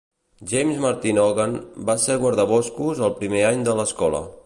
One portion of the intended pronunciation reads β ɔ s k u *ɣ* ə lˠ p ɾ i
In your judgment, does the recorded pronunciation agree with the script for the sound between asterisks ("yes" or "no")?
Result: no